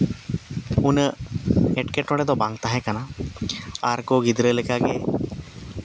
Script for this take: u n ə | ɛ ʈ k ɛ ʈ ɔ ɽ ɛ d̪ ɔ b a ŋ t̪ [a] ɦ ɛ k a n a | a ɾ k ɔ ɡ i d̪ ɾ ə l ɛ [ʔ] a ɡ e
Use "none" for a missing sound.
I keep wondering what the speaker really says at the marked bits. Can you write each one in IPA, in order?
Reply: a, k

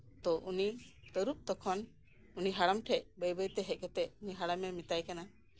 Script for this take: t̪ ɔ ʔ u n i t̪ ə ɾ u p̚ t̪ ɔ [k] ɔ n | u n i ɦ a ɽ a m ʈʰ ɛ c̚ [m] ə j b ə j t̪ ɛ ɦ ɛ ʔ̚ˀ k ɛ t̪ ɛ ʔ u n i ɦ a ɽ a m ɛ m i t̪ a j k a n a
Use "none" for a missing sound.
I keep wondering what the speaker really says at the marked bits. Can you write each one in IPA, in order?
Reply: kʰ, b

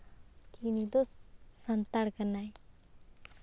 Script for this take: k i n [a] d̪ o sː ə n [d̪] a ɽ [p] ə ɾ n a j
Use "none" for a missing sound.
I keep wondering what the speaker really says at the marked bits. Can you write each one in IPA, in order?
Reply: i, t̪, k

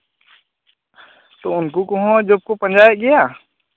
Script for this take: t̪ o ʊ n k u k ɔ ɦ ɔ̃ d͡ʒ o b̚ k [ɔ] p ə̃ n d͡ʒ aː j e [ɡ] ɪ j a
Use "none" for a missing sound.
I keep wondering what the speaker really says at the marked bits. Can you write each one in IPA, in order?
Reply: o, ɡ

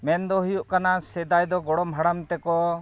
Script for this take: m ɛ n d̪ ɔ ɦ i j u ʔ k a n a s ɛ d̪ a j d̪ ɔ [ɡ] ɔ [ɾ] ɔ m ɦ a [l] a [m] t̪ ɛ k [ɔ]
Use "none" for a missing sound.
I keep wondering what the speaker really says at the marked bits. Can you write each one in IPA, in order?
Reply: ɡ, ɽ, ɽ, m, ɔ

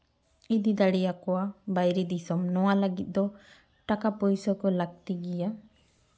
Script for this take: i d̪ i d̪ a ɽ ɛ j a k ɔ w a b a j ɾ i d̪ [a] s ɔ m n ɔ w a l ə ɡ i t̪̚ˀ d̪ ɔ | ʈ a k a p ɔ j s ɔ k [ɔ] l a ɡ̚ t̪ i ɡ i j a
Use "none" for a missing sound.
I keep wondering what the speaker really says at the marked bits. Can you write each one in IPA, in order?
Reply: i, ɔ

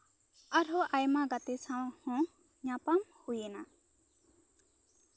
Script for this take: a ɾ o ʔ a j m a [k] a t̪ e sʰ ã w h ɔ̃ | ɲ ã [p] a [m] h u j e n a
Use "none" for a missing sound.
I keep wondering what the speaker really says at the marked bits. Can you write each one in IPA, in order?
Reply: ɡ, p, m

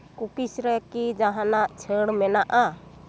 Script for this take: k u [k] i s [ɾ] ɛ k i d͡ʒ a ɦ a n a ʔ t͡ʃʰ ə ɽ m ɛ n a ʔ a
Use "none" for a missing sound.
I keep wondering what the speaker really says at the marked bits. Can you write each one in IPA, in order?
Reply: k, ɾ

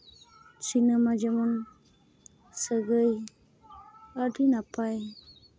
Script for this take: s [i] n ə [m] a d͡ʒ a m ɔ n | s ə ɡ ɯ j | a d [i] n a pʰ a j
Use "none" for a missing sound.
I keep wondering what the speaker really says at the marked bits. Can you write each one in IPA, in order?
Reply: i, m, i

